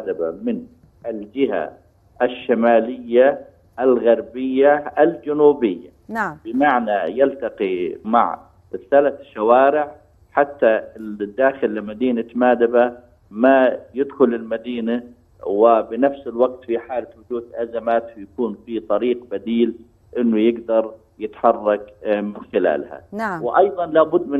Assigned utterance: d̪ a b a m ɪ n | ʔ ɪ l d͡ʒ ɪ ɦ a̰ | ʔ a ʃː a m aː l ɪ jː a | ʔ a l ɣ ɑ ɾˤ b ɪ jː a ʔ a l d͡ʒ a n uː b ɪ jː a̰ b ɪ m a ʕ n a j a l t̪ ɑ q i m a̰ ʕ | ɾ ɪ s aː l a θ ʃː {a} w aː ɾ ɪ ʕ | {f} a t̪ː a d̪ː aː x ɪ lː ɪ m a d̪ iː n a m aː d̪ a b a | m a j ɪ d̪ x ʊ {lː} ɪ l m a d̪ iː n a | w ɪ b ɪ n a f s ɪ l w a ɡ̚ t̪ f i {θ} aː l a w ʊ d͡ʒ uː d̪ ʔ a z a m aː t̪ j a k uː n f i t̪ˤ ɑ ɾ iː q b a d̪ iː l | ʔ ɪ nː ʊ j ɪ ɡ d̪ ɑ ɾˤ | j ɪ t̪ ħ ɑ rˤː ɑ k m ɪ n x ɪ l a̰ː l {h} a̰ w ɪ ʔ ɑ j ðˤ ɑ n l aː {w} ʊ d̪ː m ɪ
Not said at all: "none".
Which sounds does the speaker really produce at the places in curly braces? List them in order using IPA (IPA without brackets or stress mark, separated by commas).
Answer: a, ħ, l, ħ, h, b